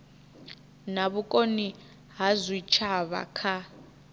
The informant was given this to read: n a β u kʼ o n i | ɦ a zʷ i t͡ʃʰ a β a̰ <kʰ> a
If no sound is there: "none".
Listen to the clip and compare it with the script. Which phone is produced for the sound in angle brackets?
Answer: kʰ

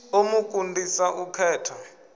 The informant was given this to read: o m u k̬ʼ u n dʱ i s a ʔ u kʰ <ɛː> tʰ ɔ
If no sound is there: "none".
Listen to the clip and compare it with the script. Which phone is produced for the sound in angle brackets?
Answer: ɛː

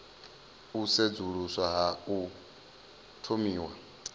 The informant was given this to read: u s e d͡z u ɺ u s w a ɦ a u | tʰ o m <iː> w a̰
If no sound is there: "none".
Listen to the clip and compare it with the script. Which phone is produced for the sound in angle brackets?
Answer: iː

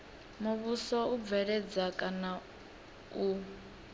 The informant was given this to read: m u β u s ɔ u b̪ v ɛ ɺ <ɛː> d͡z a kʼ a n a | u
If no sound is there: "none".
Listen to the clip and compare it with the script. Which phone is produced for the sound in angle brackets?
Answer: ɛ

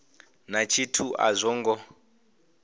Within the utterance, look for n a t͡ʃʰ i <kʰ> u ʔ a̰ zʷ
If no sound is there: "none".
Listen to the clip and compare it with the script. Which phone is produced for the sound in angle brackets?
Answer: tʰ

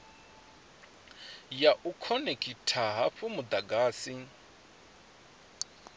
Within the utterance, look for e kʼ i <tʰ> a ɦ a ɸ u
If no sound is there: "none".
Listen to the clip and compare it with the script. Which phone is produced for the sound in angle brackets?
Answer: tʰ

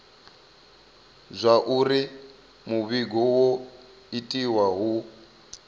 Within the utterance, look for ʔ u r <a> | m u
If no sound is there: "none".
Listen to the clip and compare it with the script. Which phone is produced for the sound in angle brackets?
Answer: i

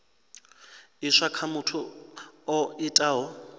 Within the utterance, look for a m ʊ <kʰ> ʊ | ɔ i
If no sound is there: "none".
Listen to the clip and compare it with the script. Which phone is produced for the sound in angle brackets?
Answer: tʰ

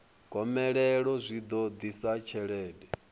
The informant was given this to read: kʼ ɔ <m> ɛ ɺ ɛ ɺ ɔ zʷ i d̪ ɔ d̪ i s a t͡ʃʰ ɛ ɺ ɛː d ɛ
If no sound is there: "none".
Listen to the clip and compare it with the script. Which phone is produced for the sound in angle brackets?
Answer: m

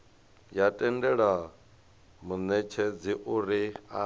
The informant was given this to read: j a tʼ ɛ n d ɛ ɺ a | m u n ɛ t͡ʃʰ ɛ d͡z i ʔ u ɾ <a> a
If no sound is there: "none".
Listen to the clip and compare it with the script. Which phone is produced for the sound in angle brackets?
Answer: i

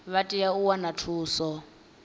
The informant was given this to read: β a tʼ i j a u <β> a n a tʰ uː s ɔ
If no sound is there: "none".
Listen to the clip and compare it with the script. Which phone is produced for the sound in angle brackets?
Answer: w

